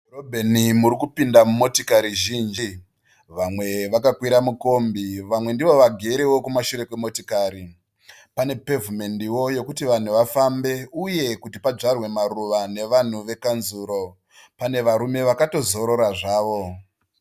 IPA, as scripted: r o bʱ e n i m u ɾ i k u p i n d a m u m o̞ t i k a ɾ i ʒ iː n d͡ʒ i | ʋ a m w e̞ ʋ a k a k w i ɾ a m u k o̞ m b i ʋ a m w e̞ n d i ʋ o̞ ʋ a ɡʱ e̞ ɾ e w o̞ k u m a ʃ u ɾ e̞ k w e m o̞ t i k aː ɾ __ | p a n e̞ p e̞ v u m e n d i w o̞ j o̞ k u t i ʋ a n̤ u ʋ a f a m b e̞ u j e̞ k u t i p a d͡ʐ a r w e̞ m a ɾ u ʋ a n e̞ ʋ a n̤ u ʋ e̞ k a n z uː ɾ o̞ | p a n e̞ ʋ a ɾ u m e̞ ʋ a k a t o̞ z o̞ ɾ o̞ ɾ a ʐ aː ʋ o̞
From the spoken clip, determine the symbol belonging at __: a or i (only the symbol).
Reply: i